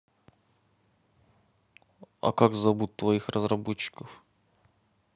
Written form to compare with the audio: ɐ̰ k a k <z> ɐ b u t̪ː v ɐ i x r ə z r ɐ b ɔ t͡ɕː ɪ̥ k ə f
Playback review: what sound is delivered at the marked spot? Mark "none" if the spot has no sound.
z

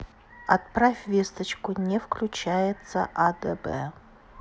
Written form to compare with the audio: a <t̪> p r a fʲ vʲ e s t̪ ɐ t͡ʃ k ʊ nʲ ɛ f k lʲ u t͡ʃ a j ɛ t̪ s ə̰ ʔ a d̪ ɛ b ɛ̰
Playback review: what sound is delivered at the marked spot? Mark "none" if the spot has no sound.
t̪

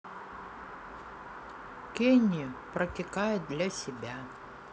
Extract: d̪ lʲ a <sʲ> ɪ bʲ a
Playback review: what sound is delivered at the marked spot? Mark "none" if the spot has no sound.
sʲ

